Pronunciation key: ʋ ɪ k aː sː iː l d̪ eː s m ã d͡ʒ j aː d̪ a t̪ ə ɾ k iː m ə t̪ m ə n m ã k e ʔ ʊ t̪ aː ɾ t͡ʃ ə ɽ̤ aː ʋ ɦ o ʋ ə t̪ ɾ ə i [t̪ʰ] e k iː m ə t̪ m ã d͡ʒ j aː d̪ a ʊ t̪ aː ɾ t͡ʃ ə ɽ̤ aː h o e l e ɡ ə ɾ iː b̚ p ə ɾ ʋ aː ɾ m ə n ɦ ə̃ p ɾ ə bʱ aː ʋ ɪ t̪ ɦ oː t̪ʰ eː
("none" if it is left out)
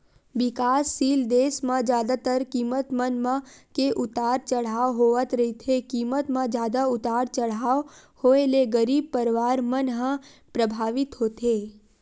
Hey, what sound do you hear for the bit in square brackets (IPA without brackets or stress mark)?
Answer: t̪ʰ